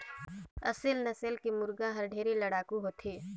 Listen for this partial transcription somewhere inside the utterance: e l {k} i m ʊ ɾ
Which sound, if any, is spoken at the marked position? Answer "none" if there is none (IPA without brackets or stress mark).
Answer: k